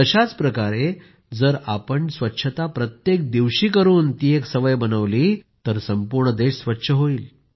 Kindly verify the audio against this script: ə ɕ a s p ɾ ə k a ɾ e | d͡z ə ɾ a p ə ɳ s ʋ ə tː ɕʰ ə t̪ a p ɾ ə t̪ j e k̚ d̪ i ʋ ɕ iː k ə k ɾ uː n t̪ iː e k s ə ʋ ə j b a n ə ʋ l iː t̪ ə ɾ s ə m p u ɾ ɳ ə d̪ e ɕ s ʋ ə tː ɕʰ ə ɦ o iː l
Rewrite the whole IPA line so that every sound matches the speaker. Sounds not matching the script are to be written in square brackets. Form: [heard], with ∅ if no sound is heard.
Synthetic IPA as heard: ə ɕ a [t͡s] p ɾ ə k a ɾ e | d͡z ə ɾ a p ə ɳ s ʋ ə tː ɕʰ ə t̪ a p ɾ ə t̪ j e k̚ d̪ i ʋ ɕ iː k ə [∅] ɾ uː n t̪ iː e k s ə ʋ ə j b [ə] n ə ʋ l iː t̪ ə ɾ s ə m p u ɾ ɳ ə d̪ e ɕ s ʋ ə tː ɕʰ ə ɦ o iː l